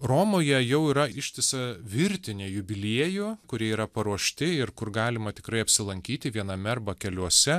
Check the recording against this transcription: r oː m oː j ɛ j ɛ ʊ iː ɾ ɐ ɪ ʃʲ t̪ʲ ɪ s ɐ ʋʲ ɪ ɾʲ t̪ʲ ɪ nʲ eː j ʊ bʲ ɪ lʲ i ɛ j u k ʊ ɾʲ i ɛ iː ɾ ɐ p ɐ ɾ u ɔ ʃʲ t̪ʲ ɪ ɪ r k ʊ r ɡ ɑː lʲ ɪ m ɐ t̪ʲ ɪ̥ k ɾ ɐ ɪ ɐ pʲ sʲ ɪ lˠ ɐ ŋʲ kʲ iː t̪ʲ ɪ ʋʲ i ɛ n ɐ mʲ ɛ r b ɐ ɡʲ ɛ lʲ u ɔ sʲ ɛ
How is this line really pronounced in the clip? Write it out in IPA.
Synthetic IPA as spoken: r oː m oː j ɛ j ɛ ʊ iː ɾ ɐ ɪ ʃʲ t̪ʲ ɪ s ɐ ʋʲ ɪ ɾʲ t̪ʲ ɪ nʲ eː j ʊ bʲ ɪ lʲ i ɛ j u k ʊ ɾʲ i ɛ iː ɾ ɐ p ɐ ɾ u ɔ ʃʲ t̪ʲ ɪ ɪ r k ʊ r ɡ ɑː lʲ ɪ m ɐ t̪ʲ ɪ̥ k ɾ ɐ ɪ ɐ pʲ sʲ ɪ lˠ ɐ ŋʲ kʲ iː t̪ʲ ɪ ʋʲ i ɛ n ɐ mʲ ɛ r b ɐ kʲ ɛ lʲ u ɔ sʲ ɛ